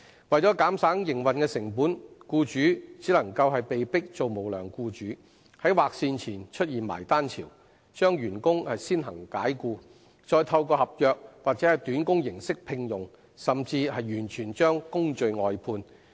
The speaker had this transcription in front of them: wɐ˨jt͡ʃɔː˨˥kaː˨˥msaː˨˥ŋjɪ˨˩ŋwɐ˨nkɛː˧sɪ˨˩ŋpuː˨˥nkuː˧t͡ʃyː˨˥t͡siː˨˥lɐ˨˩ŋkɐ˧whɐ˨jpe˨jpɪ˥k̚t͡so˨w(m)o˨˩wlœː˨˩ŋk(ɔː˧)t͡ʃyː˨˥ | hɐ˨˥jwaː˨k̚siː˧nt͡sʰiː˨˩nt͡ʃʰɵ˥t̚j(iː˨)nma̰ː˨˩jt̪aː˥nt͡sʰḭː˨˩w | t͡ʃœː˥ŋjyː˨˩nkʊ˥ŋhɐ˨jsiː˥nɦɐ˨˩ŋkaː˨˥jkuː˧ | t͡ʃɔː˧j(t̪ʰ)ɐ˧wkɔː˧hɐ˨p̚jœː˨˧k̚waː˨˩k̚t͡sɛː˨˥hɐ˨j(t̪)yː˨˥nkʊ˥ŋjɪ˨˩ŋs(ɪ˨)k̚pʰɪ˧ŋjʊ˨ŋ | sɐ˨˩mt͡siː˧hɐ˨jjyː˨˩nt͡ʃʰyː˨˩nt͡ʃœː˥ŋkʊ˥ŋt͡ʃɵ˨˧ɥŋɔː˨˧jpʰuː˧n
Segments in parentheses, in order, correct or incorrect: correct, incorrect: uː˧, correct, correct, correct, incorrect: ɪ˥

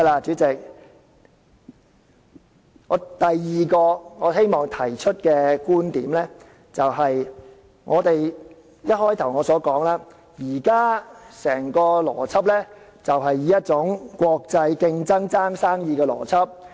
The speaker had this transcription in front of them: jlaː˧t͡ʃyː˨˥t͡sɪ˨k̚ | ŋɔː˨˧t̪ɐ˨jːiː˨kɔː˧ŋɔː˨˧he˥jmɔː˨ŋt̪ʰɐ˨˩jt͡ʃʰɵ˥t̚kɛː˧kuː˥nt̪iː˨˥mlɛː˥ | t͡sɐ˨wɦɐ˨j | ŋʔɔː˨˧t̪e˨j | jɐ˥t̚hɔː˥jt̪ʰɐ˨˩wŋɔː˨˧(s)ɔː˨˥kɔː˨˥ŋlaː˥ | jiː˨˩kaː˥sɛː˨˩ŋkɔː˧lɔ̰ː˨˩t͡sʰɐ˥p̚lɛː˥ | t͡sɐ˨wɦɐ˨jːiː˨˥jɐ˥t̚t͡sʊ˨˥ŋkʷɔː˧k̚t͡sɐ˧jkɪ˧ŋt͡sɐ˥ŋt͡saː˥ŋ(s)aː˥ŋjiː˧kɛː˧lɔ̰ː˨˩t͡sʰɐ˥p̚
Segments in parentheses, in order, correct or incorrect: correct, correct

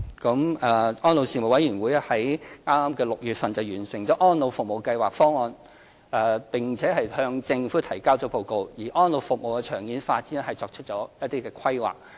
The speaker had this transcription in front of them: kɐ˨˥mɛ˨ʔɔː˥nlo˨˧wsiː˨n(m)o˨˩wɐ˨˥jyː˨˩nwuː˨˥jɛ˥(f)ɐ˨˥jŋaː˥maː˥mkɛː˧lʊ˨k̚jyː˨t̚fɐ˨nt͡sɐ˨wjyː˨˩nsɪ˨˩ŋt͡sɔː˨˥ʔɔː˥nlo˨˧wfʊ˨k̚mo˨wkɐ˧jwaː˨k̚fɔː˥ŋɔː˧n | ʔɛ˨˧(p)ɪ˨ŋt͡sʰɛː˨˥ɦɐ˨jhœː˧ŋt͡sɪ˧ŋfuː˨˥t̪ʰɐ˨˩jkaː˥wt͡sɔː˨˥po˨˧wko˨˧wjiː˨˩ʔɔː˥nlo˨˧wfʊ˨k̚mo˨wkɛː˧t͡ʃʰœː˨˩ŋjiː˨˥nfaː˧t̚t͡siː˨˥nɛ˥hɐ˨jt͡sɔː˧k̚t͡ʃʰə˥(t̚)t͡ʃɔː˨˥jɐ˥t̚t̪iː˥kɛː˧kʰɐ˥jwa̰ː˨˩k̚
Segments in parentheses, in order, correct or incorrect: correct, incorrect: h, correct, correct

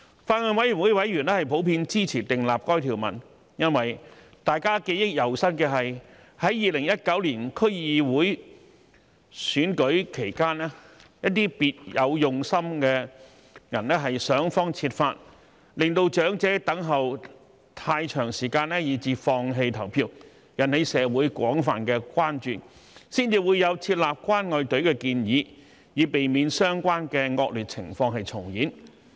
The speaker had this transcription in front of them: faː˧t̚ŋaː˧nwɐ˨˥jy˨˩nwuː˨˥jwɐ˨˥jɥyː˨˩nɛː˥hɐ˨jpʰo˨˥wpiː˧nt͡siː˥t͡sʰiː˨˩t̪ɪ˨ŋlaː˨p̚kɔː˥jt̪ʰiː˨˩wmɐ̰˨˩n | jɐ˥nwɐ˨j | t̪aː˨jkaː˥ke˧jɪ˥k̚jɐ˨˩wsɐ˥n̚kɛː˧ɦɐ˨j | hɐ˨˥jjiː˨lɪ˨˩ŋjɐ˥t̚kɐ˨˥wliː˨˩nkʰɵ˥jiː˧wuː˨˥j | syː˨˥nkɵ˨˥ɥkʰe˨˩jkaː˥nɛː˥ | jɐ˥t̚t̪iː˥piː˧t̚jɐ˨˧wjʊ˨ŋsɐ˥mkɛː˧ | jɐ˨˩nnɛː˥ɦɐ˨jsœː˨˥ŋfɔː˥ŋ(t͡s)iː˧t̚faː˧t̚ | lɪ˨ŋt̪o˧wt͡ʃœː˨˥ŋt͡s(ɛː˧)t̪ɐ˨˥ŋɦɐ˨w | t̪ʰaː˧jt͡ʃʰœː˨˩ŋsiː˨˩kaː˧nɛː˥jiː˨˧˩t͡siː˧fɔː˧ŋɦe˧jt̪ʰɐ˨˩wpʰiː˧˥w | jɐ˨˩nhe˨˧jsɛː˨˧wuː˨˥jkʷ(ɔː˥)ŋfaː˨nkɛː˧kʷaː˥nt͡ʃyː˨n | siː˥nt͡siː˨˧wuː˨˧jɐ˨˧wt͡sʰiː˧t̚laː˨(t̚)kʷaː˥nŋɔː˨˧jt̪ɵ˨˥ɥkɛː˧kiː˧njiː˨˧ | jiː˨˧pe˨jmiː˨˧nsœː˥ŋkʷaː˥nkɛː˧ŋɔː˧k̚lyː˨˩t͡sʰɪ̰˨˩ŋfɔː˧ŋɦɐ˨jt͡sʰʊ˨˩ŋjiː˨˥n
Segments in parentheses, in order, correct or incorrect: incorrect: t͡sʰ, incorrect: ɛː˨˥, incorrect: ɔː˨˥, incorrect: p̚

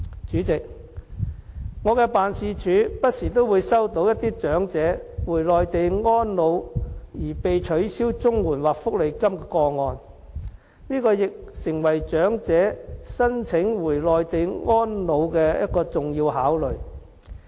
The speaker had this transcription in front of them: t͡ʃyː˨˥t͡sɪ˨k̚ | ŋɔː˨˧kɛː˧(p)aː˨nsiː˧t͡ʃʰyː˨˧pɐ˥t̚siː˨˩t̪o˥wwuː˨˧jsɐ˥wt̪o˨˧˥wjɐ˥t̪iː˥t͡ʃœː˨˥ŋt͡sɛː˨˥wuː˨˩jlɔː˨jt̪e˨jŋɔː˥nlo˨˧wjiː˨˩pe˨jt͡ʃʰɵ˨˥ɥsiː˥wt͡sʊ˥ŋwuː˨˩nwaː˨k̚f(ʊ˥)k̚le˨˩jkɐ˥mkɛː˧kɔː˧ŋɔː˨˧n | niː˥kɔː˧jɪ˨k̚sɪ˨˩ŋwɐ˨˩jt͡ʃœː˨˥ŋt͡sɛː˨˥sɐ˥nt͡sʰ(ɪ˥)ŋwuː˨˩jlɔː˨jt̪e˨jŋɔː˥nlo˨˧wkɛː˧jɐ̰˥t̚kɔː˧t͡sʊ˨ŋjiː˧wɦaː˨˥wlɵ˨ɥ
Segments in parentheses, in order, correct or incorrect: correct, correct, incorrect: ɪ˨˥

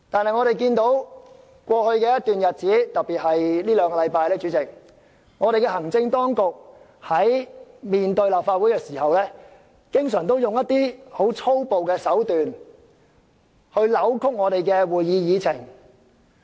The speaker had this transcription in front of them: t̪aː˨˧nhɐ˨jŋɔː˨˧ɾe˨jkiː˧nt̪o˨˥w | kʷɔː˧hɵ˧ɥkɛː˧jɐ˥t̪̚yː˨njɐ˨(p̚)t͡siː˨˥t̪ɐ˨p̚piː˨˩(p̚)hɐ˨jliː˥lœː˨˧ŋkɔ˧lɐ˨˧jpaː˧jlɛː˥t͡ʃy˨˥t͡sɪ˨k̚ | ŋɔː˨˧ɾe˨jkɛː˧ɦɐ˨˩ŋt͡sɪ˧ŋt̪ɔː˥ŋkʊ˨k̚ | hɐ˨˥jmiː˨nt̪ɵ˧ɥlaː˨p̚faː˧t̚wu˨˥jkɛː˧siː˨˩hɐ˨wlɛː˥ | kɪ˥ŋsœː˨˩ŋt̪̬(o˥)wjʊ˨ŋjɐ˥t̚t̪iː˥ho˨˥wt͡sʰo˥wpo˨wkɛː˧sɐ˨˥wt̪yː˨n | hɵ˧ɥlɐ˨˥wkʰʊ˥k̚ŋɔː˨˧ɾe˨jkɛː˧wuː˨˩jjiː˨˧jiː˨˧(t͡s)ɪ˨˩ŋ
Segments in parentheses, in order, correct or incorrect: incorrect: t̚, incorrect: t̚, correct, incorrect: t͡sʰ

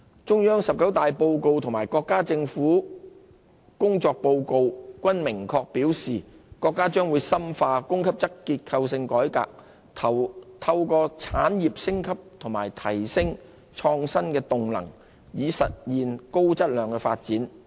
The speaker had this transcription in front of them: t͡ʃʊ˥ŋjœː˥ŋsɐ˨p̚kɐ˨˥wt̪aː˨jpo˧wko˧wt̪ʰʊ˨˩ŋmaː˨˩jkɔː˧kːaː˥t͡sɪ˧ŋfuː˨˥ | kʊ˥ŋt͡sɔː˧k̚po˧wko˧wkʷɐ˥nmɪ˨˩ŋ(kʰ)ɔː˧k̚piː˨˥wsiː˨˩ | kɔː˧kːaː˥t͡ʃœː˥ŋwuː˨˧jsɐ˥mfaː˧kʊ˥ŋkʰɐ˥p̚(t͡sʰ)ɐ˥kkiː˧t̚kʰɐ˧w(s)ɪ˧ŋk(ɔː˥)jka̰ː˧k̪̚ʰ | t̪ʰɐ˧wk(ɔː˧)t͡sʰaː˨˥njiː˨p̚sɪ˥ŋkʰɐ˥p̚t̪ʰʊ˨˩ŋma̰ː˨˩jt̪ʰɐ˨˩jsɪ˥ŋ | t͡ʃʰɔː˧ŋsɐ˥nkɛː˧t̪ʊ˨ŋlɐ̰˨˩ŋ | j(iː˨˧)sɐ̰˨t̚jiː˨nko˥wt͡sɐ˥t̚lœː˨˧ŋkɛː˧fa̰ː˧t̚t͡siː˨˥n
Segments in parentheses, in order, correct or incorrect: correct, incorrect: t͡s, correct, incorrect: ɔː˨˥, correct, correct

